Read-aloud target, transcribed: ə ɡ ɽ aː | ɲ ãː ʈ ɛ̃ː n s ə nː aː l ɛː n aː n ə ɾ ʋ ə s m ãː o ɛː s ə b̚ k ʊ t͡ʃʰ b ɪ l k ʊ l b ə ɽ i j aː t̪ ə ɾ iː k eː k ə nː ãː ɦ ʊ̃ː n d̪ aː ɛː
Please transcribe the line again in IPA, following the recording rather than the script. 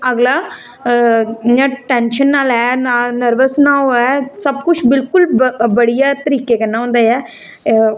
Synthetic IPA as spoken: ə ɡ l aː | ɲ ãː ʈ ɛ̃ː n ʃ ə nː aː l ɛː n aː n ə ɾ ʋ ə s n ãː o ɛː s ə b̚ k ʊ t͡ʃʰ b ɪ l k ʊ l b ə ɽ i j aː t̪ ə ɾ iː k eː k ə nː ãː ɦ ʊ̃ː n d̪ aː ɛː